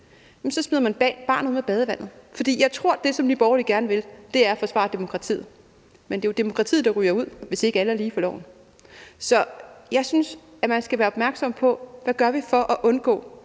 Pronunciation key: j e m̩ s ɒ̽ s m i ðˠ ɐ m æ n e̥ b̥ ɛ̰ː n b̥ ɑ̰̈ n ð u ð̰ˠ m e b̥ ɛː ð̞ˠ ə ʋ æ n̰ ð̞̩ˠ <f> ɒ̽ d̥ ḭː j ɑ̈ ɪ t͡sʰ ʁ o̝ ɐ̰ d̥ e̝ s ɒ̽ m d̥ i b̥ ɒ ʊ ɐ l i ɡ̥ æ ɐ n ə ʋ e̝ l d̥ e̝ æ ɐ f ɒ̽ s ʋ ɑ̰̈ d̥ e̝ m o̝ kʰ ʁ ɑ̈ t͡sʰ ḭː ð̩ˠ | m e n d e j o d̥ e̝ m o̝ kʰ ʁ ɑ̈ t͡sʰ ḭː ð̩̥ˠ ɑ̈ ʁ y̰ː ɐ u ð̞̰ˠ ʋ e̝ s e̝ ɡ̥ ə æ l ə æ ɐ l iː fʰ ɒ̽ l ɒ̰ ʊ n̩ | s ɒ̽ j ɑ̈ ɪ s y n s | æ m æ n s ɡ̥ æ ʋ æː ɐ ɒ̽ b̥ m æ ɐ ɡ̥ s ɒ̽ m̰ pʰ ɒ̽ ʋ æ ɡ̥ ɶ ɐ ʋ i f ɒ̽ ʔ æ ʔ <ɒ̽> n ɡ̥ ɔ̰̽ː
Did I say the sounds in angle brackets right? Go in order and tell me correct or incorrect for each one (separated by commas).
correct, incorrect